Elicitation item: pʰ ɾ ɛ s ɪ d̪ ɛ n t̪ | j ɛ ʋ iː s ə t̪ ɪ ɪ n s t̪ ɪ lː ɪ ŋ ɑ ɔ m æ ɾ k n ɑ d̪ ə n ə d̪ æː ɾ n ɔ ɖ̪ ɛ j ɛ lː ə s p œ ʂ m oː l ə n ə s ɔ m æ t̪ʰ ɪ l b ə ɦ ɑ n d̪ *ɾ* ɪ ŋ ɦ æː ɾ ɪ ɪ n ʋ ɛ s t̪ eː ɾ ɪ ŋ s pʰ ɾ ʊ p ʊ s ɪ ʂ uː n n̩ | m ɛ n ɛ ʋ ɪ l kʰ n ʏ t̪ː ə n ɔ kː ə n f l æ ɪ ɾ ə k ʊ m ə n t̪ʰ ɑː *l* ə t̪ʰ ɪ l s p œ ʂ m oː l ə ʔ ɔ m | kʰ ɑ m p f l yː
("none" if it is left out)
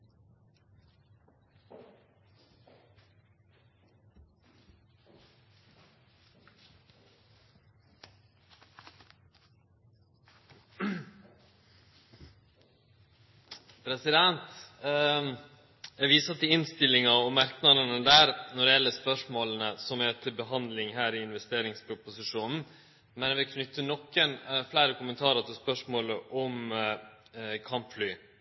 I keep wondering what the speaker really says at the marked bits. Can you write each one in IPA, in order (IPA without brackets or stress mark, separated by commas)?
l, ɾ